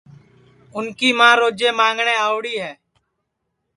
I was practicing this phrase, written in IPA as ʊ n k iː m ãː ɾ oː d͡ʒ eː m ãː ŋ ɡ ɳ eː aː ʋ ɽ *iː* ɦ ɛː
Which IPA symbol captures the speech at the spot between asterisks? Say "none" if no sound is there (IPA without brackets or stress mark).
iː